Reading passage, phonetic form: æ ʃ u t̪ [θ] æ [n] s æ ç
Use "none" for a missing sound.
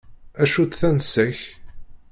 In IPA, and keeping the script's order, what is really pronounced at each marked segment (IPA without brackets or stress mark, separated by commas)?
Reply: θ, n